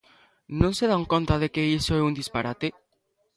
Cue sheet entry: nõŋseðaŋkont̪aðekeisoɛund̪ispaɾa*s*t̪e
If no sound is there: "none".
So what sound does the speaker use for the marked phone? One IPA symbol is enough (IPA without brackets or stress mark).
none